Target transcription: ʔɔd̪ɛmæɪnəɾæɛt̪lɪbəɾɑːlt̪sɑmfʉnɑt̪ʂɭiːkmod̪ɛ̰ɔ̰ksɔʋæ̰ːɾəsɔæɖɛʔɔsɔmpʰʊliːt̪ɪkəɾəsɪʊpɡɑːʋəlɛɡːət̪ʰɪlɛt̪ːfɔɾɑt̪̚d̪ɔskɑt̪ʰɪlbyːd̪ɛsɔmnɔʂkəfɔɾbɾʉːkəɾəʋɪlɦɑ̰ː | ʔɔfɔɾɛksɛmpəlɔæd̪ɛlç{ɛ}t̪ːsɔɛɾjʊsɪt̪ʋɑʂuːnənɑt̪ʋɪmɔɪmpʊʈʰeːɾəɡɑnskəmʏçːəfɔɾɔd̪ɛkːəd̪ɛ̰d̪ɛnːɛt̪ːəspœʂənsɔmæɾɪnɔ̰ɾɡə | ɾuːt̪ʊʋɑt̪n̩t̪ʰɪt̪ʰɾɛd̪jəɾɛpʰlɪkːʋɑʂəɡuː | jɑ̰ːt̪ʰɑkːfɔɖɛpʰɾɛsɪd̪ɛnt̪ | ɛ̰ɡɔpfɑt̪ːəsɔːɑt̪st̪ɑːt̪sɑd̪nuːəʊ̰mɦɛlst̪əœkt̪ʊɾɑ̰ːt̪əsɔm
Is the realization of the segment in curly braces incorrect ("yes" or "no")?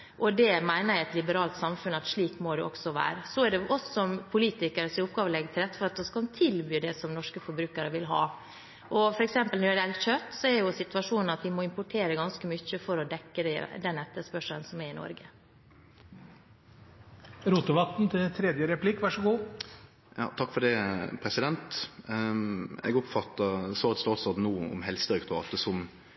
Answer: yes